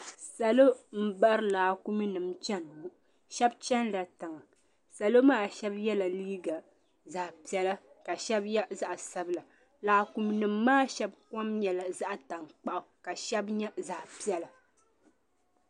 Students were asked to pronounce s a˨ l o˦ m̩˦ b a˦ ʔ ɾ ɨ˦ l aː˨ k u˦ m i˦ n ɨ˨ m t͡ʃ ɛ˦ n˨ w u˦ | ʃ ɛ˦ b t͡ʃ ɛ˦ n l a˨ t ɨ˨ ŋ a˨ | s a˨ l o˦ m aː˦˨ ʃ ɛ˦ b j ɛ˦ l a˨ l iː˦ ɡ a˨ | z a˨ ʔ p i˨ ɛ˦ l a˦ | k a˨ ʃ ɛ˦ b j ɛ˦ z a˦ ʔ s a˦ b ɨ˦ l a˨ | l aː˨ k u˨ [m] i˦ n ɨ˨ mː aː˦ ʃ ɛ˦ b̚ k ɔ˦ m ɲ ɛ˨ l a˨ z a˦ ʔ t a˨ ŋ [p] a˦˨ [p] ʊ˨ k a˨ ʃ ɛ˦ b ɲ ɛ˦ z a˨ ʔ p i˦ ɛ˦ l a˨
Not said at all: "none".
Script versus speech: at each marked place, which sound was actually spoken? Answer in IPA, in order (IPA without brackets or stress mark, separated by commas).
m, k͡p, ʔ